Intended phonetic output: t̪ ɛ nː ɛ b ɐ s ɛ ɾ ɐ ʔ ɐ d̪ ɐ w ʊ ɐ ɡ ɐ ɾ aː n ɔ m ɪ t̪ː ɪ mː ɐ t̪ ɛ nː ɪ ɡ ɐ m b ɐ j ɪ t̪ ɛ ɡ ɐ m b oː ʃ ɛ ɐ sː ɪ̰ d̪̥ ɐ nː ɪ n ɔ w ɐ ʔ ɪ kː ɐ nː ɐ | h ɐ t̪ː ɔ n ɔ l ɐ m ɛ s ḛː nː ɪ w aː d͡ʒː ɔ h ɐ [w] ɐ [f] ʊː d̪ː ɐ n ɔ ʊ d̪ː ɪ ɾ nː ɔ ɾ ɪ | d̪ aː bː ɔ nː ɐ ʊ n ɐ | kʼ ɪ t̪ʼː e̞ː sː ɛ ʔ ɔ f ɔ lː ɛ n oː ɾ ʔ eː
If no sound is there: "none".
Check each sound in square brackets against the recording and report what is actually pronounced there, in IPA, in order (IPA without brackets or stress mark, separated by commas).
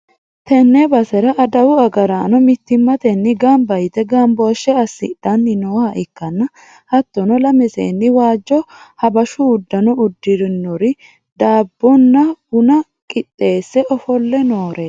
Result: b, ʃ